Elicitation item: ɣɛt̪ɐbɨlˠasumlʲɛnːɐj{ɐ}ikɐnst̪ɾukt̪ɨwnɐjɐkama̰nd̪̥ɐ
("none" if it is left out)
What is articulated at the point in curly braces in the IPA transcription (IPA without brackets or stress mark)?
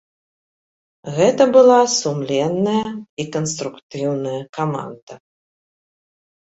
ɐ